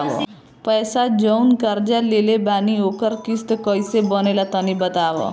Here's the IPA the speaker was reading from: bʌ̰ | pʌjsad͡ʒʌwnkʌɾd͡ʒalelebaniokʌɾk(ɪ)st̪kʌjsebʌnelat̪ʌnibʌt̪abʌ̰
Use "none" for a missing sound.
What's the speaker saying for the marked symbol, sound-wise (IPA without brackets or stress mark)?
i